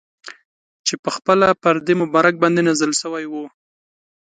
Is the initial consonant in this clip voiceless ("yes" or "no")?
yes